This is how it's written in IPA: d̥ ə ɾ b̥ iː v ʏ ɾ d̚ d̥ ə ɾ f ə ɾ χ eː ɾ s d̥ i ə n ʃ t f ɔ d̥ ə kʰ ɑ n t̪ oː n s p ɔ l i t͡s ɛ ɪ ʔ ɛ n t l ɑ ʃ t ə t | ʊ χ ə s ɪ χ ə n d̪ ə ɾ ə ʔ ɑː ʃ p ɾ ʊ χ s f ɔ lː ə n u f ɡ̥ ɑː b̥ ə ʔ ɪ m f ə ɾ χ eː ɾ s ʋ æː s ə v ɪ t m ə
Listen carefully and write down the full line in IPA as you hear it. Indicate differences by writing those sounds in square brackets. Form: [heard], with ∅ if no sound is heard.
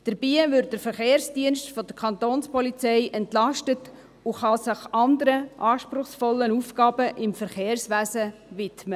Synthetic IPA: d̥ ə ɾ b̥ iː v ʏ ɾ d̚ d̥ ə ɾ f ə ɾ χ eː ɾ s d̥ i ə n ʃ t f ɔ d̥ ə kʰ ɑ n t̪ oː n s p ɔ l i t͡s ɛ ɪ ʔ ɛ n t l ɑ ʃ t ə t | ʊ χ [ɑ] s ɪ χ [ɑ] n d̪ ə ɾ ə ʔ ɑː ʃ p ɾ ʊ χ s f ɔ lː ə n u f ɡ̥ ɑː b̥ ə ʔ ɪ m f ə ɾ χ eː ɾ s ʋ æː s ə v ɪ t m ə

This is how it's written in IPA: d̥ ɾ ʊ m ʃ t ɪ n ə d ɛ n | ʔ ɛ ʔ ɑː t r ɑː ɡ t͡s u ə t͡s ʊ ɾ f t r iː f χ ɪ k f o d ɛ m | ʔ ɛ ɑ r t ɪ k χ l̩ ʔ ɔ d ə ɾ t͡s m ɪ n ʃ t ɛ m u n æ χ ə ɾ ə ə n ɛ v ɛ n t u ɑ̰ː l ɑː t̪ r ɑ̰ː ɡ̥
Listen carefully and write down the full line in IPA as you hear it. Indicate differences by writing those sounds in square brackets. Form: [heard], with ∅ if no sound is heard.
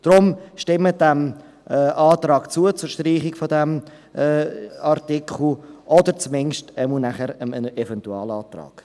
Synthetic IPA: d̥ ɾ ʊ m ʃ t ɪ [m] ə d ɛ [m] | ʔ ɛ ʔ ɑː t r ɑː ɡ t͡s u ə t͡s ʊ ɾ [ʃ] t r iː [∅] χ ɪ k f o d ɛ m | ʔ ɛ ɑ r t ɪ k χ l̩ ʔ ɔ d ə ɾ t͡s m ɪ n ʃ t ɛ m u n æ χ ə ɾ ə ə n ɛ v ɛ n t u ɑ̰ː l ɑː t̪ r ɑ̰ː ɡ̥

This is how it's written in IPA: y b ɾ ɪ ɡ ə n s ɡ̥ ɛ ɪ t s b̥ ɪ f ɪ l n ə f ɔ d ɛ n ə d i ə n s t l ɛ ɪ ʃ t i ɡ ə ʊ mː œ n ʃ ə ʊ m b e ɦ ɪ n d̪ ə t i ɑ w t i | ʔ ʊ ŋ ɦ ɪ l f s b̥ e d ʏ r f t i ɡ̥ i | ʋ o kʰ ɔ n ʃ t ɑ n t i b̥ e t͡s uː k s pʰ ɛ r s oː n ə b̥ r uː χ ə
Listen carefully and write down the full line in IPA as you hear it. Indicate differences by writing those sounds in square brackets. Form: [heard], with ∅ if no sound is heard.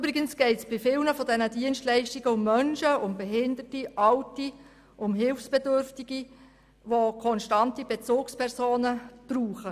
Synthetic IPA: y b ɾ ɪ ɡ ə n s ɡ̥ ɛ ɪ t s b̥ ɪ f ɪ l n ə f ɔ d ɛ n ə d i ə n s t l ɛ ɪ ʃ t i ɡ ə ʊ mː œ n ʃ ə ʊ m b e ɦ ɪ n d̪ ə t i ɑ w t i | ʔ ʊ [m] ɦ ɪ l f s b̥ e d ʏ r f t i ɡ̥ i | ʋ o kʰ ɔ n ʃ t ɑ n t i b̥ e t͡s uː k s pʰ ɛ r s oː n ə b̥ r uː χ ə

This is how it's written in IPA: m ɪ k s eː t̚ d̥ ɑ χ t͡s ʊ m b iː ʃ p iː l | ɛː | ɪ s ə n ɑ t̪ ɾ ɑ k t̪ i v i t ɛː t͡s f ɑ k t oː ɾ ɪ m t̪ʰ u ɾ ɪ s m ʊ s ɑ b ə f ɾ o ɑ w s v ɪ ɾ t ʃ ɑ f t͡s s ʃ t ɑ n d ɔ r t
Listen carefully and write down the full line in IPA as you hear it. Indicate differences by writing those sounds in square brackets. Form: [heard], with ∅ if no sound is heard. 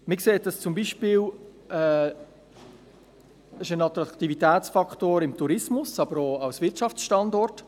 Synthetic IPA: m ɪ k s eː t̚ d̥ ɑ [s] t͡s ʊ m b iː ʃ p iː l | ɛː | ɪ [ʃ] ə n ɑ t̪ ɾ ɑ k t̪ i v i t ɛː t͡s f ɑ k t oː ɾ ɪ m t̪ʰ u ɾ ɪ s m ʊ s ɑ b ə [∅] ɾ o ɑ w s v ɪ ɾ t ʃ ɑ f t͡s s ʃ t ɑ n d ɔ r t

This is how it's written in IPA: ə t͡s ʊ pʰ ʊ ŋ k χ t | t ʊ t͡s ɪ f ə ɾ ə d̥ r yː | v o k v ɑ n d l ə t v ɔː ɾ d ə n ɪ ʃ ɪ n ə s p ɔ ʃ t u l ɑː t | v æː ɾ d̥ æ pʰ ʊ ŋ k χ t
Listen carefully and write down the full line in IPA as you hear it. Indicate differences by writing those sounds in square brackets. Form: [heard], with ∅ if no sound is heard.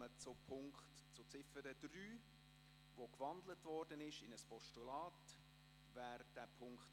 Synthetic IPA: ə t͡s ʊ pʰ ʊ ŋ k χ t | [t͡s] ʊ t͡s ɪ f ə ɾ ə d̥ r yː | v o k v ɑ n d l ə t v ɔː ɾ d ə n ɪ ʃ ɪ n ə s p ɔ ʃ t u l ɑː t | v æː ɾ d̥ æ pʰ ʊ ŋ k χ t

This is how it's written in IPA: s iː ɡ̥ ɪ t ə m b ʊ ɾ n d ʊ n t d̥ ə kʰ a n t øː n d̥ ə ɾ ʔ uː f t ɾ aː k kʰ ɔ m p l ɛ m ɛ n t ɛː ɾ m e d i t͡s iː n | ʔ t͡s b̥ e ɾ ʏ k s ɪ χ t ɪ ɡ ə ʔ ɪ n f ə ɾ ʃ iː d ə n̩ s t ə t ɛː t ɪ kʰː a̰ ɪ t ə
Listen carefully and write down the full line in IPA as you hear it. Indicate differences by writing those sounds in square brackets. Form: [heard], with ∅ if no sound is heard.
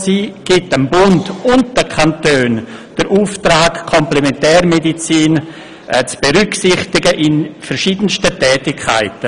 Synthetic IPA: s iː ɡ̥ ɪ t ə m b ʊ [∅] n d ʊ n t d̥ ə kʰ a n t øː n d̥ ə ɾ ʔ uː f t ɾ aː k kʰ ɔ m p l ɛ m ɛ n t ɛː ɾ m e d i t͡s iː n | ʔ t͡s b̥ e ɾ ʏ k s ɪ χ t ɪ ɡ ə ʔ ɪ n f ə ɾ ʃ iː d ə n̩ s t ə t ɛː t ɪ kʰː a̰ ɪ t ə

